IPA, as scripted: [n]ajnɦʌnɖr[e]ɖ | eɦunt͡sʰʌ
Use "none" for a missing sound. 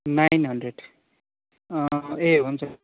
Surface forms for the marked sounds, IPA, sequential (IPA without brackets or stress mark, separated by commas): n, e